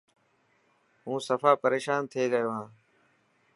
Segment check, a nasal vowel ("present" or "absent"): present